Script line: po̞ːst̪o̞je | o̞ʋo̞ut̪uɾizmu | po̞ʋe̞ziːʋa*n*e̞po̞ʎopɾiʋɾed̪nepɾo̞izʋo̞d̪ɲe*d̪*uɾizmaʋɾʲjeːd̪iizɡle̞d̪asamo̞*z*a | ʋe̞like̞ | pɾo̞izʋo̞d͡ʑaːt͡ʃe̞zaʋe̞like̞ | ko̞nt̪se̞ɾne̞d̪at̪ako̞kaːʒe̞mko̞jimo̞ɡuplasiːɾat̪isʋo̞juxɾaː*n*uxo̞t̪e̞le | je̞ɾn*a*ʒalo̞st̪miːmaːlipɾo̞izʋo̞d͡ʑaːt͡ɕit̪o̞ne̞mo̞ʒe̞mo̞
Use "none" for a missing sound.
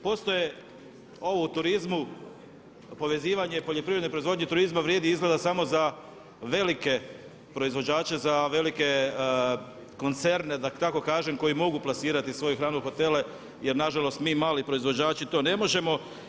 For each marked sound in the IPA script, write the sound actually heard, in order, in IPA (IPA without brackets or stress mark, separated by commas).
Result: ɲ, t̪, z, n, a